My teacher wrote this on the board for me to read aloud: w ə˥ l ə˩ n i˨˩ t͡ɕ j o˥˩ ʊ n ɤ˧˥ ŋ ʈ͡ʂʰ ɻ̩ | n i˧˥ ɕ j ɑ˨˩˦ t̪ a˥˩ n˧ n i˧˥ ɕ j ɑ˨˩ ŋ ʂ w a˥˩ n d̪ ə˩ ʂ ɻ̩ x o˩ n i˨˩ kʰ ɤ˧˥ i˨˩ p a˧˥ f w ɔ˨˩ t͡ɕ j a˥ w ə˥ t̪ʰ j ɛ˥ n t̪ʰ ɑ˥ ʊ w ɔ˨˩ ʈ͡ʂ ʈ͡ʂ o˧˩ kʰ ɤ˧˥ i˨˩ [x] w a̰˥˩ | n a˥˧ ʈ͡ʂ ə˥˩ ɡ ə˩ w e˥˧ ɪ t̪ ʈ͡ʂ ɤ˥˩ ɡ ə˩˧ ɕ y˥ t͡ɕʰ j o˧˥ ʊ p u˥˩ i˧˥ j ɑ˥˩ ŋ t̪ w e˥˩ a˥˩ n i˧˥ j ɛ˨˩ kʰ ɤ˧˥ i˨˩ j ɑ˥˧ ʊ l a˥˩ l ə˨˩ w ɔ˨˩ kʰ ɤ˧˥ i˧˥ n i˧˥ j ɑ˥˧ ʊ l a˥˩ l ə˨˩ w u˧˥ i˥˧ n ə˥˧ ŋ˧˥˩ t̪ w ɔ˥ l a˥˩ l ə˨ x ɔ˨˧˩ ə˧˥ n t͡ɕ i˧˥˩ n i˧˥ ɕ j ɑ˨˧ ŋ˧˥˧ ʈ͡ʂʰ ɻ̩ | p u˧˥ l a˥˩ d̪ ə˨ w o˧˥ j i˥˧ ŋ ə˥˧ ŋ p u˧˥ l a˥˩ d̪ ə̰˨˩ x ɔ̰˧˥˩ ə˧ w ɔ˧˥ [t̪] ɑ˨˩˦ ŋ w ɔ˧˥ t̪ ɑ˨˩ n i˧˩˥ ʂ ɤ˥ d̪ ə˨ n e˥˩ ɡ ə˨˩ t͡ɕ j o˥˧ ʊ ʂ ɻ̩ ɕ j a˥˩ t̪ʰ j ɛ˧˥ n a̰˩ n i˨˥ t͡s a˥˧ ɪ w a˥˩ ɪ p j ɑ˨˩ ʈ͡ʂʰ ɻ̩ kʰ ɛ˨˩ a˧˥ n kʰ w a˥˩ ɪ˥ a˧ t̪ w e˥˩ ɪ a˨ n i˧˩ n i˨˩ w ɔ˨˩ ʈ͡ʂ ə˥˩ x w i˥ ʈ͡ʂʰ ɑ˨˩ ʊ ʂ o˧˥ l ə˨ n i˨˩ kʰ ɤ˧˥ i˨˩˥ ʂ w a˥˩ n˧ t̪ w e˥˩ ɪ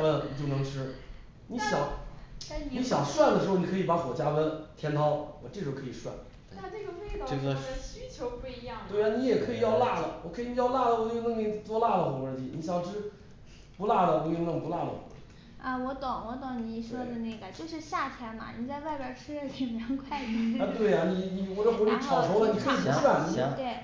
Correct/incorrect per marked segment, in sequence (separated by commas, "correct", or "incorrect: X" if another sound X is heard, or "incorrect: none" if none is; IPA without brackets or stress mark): incorrect: ʂ, correct